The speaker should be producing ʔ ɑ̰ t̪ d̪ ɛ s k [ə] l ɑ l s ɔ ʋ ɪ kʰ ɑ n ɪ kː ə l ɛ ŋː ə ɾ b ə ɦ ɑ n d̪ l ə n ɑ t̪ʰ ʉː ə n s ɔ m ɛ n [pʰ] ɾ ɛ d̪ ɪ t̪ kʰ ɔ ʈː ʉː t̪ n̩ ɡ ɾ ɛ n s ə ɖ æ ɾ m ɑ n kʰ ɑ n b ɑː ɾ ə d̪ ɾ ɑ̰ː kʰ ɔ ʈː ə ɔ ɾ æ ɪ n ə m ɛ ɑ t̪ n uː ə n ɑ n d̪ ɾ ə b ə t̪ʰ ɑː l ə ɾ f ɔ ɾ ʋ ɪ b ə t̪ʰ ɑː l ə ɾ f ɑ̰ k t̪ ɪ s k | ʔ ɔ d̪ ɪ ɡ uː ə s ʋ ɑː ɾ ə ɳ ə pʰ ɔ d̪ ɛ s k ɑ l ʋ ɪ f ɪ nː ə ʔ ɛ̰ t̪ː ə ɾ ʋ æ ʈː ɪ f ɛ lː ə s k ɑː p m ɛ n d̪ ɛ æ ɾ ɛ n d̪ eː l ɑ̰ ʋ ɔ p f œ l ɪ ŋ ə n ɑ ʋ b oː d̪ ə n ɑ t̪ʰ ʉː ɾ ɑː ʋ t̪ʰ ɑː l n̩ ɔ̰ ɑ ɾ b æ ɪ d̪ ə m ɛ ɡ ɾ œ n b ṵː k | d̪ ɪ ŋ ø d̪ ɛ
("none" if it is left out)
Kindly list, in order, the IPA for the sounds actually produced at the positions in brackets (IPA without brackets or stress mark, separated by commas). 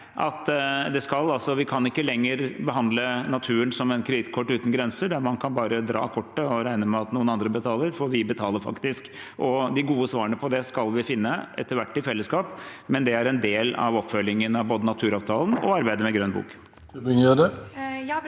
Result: ɑ, kʰ